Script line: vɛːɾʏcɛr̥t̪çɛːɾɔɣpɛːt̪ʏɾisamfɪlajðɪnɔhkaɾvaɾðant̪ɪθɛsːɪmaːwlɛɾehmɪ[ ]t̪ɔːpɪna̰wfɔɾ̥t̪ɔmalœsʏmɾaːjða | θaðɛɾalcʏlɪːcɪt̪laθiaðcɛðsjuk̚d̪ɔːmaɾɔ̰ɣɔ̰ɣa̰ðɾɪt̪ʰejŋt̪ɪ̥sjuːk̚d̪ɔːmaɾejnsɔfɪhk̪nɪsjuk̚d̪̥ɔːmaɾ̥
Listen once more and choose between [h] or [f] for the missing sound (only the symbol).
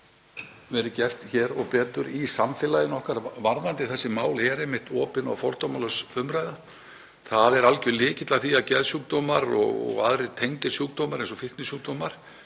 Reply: h